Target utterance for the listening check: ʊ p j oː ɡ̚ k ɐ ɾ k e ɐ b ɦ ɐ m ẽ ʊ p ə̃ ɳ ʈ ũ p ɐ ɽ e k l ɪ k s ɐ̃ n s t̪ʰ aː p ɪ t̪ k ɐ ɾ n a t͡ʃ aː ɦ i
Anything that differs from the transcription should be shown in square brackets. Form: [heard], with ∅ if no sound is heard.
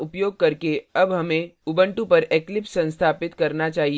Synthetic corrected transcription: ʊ p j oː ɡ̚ k ɐ ɾ k e ɐ b ɦ ɐ m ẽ ʊ [b] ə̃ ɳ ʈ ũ p ɐ [ɾ] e k l ɪ [p] s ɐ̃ n s t̪ʰ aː p ɪ t̪ k ɐ ɾ n a t͡ʃ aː ɦ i